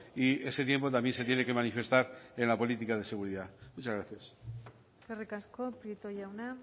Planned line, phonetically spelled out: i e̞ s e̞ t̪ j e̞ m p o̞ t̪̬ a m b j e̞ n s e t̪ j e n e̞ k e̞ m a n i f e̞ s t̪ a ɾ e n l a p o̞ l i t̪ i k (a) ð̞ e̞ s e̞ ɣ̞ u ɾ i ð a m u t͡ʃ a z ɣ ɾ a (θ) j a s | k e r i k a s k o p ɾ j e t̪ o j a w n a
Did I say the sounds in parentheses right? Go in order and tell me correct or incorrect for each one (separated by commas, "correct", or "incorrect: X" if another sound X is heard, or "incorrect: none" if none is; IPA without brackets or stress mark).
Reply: correct, correct